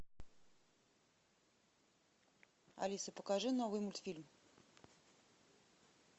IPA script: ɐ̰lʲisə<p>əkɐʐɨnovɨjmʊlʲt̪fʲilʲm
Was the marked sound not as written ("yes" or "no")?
no